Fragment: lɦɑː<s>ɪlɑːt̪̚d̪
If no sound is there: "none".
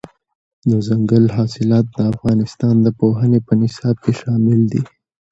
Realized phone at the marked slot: s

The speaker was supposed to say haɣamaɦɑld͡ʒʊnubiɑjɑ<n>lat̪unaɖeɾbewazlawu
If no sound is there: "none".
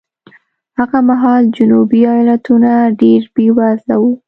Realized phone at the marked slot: none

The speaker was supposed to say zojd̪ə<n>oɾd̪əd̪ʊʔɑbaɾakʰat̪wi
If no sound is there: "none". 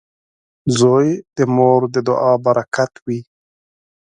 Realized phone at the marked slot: m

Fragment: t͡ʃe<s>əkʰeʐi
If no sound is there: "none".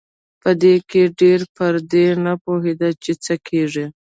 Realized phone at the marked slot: t͡s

